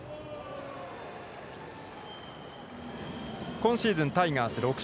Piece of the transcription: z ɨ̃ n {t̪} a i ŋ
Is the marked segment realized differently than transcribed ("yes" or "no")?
no